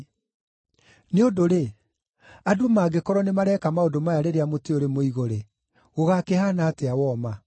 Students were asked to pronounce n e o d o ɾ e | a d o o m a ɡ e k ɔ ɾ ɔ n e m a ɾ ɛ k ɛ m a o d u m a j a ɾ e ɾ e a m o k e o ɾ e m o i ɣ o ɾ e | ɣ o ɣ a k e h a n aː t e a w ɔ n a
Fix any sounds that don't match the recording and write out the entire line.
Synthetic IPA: n e o d o ɾ e | a d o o m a ɡ e k ɔ ɾ ɔ n e m a ɾ ɛ k a m a o d o m a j a ɾ e ɾ e a m o t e o ɾ e m o i ɣ o ɾ e | ɣ o ɣ a k e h a n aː t e a w ɔ m a

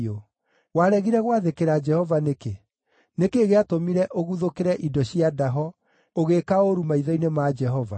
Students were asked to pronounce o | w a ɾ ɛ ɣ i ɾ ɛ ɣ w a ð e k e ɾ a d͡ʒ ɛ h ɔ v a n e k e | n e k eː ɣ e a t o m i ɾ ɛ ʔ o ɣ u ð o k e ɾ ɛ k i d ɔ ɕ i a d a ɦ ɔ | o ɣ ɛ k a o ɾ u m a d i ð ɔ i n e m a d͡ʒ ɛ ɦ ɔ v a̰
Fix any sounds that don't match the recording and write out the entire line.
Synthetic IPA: o | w a ɾ ɛ ɣ i ɾ ɛ ɣ w a ð e k e ɾ a d͡ʒ ɛ h ɔ v a n e k e | n e k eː ɣ e a t o m i ɾ ɛ ʔ o ɣ u ð o k e ɾ ɛ ʔ i d ɔ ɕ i a d a ɦ ɔ | o ɣ e k a o ɾ u m a i ð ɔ i n e m a d͡ʒ ɛ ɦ ɔ v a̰

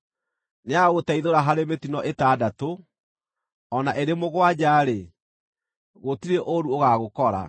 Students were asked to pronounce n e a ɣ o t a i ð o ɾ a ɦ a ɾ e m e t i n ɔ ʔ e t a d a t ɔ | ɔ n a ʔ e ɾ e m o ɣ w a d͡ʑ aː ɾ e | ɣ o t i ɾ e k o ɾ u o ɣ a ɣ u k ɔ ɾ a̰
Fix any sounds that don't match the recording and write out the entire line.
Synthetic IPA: n e a ɣ o t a i ð o ɾ a ɦ a ɾ e m e t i n ɔ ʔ e t a d a t o | ɔ n a ʔ e ɾ e m o ɣ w a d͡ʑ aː ɾ e | ɣ o t i ɾ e ʔ o ɾ u o ɣ a ɣ o k ɔ ɾ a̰

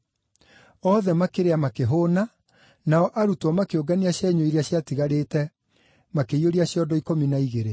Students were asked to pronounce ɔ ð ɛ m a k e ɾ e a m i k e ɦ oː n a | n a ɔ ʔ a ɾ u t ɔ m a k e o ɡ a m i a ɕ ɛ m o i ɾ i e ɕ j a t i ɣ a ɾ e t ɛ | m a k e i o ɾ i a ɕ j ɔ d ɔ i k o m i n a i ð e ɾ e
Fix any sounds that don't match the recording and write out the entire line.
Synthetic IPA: ɔ ð ɛ m a k e ɾ e a m a k e ɦ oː n a | n a ɔ ʔ a ɾ u t ɔ m a k e o ɡ a n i a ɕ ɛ ɲ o i ɾ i a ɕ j a t i ɣ a ɾ e t ɛ | m a k e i o ɾ i a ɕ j ɔ d ɔ i k o m i n a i ɣ e ɾ e

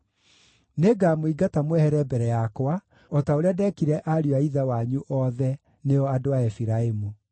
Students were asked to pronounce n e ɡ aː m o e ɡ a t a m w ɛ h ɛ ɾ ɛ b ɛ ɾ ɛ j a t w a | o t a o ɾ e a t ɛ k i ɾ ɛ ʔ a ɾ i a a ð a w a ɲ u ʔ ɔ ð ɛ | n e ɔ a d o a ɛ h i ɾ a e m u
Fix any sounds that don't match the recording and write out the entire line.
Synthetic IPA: n e ɡ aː m o i ɡ a t a m w ɛ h ɛ ɾ ɛ b ɛ ɾ ɛ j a k w a | ɔ t a o ɾ e a d ɛ k i ɾ ɛ ʔ a ɾ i a i ð a w a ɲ u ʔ ɔ ð ɛ | n e ɔ a d o a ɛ f i ɾ a e m u

